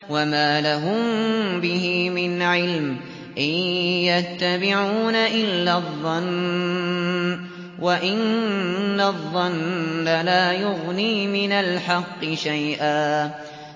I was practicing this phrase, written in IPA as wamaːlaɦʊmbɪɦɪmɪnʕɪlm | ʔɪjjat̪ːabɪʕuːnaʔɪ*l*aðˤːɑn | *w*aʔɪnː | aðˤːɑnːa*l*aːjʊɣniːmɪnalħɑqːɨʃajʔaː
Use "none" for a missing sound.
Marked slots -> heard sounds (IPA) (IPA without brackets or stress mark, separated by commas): lː, w, l